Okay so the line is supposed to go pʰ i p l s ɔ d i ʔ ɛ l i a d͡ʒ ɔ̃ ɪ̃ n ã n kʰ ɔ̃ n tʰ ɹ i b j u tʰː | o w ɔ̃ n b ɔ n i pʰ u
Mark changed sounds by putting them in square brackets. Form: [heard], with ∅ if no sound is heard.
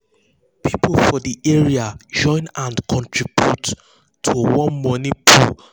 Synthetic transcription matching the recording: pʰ i p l [f] ɔ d i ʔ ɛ [ɹ] i a d͡ʒ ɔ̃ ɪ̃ n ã n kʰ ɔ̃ n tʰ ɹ i b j u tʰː | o w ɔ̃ n [m] ɔ n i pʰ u